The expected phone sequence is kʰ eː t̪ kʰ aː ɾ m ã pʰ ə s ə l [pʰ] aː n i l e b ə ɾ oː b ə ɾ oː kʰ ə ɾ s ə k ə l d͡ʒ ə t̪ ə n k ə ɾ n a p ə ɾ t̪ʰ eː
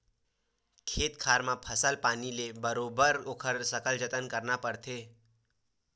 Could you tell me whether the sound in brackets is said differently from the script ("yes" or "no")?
yes